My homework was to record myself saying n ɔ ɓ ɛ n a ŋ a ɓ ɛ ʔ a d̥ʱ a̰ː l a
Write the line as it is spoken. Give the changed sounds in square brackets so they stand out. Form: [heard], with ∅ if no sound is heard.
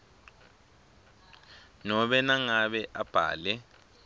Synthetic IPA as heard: n ɔ ɓ ɛ n a ŋ a ɓ ɛ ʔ a [b̥ʱ] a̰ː l [ɛ]